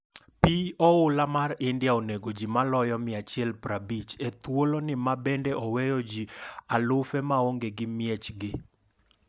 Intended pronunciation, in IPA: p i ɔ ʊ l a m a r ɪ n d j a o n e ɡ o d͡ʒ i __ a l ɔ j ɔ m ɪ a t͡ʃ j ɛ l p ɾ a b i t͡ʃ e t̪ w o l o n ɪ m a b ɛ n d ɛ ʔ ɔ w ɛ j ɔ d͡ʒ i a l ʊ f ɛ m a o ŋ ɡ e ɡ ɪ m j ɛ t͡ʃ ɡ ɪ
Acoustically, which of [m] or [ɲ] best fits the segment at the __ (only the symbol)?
m